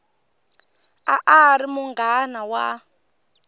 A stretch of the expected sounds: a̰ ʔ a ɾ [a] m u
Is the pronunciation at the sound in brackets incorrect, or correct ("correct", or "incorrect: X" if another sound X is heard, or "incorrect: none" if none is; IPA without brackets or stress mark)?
incorrect: i